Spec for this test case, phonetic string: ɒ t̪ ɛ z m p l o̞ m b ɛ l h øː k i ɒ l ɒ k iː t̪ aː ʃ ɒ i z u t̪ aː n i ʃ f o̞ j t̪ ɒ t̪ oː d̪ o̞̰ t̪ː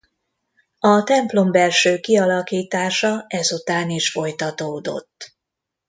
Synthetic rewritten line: ɒ t̪ ɛ m p l o̞ m b ɛ l ʃ øː k i ɒ l ɒ k iː t̪ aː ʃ ɒ ɛ z u t̪ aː n i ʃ f o̞ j t̪ ɒ t̪ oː d̪ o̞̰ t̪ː